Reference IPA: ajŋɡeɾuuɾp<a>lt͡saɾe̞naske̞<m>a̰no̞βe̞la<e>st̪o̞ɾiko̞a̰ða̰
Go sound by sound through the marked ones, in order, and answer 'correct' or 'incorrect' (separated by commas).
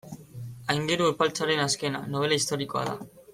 correct, incorrect, incorrect